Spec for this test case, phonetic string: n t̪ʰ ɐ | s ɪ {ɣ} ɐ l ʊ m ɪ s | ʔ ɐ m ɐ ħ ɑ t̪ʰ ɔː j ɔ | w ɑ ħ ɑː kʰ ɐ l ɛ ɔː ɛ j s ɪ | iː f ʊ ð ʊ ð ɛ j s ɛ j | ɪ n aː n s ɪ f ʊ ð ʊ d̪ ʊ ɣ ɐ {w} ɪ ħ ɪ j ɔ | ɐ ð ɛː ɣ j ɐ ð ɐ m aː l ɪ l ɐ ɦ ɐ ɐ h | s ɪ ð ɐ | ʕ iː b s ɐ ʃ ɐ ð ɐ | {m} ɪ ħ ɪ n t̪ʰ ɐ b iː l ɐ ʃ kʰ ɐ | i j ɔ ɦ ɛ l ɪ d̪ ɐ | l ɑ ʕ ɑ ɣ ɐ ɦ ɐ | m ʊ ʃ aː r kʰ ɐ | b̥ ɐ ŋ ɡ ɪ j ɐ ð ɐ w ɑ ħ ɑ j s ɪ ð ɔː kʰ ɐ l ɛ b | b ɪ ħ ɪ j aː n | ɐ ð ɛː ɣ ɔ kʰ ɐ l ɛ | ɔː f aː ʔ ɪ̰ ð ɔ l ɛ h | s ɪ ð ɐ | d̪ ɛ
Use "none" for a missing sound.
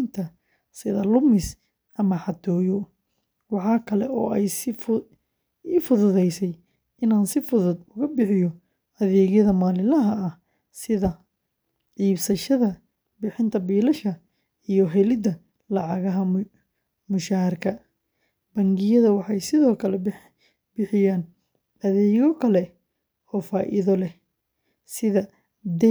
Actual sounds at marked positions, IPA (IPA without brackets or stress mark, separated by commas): ð, b, b